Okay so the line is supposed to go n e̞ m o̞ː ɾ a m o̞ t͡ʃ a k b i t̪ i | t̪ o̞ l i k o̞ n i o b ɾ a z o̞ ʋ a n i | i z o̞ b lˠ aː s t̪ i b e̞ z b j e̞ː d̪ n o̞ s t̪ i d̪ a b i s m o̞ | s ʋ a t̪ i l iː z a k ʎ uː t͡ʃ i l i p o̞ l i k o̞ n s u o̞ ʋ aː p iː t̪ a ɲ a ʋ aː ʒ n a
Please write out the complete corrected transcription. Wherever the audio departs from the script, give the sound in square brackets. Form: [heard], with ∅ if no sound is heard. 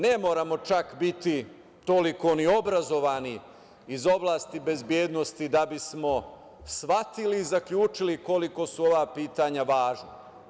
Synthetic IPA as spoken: n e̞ m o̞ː ɾ a m o̞ t͡ʃ a k b i t̪ i | t̪ o̞ l i k o̞ n i o b ɾ a z o̞ ʋ a n i | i z o̞ b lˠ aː s t̪ i b e̞ z b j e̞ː d̪ n o̞ s t̪ i d̪ a b i s m o̞ | s ʋ a t̪ i l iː z a k ʎ uː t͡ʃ i l i [k] o̞ l i k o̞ [∅] s u o̞ ʋ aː p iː t̪ a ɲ a ʋ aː ʒ n a